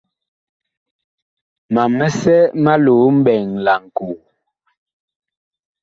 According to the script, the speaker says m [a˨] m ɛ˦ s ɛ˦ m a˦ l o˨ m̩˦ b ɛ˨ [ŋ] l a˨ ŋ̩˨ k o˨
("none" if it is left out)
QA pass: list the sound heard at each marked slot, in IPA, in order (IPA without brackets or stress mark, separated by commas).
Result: a˨, ŋ